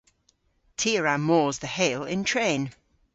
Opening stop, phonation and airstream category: aspirated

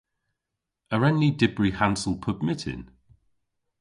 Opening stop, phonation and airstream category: plain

